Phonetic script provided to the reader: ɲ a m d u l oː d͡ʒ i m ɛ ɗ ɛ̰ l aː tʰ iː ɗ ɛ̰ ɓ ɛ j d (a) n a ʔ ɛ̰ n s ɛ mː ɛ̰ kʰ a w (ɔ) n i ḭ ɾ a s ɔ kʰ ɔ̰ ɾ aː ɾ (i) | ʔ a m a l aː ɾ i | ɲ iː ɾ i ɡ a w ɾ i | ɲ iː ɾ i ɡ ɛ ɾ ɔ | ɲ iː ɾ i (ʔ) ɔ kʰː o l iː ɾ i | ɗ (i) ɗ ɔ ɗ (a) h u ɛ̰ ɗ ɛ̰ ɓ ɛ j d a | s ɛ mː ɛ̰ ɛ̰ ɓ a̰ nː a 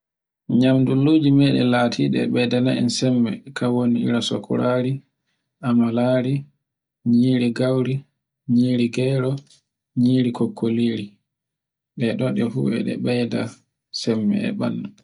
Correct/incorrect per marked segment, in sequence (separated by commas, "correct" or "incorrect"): correct, incorrect, correct, incorrect, incorrect, incorrect